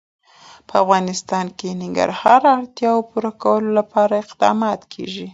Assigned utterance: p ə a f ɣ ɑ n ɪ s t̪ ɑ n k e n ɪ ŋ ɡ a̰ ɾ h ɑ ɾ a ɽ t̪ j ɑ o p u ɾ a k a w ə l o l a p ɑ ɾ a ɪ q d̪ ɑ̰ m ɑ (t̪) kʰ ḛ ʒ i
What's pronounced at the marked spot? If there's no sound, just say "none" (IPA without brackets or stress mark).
t̪